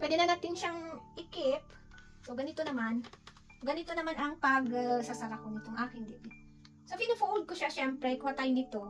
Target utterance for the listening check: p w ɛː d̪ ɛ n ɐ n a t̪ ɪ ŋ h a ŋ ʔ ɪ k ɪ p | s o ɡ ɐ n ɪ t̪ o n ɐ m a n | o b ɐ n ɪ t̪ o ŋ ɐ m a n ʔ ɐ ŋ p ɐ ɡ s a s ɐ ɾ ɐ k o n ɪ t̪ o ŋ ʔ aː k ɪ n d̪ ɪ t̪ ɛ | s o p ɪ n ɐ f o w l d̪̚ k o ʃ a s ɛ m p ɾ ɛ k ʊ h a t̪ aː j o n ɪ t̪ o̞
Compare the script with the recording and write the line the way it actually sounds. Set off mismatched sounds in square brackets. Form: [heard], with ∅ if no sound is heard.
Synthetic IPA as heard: p w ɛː d̪ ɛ n ɐ n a t̪ ɪ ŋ [ʃ] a ŋ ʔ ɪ k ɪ p | s o ɡ ɐ n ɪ t̪ o n ɐ m a n | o [ɡ] ɐ n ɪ t̪ o [n] ɐ m a n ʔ ɐ ŋ p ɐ ɡ s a s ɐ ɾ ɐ k o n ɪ t̪ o ŋ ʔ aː k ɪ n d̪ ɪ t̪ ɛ | s o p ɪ n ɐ f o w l d̪̚ k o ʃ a [ʃ] ɛ m p ɾ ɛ k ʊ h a t̪ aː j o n ɪ t̪ o̞